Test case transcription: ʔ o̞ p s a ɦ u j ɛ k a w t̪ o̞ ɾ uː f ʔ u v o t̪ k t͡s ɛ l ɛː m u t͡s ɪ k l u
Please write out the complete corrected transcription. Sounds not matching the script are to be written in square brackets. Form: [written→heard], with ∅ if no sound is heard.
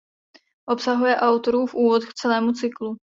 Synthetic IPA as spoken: ʔ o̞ p s a ɦ u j ɛ [k→ʔ] a w t̪ o̞ ɾ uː f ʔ [u→uː] v o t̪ k t͡s ɛ l ɛː m u t͡s ɪ k l u